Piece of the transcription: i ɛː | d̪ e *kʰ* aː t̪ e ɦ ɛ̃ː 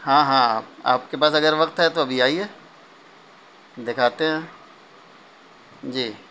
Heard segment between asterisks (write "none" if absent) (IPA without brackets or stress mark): kʰ